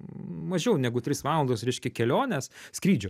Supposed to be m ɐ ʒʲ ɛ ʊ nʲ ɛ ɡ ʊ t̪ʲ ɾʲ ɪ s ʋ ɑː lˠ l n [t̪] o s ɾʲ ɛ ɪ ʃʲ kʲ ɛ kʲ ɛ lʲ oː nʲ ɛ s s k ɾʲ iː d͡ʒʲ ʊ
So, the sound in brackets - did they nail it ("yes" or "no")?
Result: no